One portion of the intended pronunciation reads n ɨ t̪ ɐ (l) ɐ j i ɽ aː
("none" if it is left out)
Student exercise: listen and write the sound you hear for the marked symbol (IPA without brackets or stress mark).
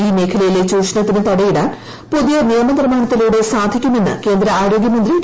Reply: ɽ